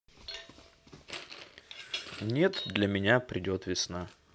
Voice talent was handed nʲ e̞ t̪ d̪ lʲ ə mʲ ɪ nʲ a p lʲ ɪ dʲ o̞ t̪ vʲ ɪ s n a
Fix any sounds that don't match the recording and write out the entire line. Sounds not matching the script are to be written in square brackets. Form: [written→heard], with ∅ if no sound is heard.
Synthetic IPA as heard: nʲ e̞ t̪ d̪ lʲ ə mʲ ɪ nʲ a p [lʲ→ɾʲ] ɪ dʲ o̞ t̪ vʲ ɪ s n a